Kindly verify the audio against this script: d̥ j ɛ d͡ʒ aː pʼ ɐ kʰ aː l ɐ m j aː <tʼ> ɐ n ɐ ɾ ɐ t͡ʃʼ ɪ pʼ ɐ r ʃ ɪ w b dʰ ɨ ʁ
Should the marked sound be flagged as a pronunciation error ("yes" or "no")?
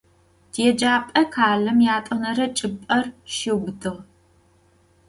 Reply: no